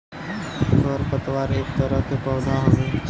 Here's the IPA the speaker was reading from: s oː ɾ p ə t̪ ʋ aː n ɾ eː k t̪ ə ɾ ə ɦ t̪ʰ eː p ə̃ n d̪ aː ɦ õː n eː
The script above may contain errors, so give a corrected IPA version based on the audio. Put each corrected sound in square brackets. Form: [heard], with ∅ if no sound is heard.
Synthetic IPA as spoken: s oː ɾ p ə t̪ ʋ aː [∅] ɾ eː k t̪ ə ɾ ə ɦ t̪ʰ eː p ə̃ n d̪ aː ɦ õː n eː